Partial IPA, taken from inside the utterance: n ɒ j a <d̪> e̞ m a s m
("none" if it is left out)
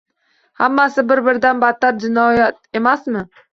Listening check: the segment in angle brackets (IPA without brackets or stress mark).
t̪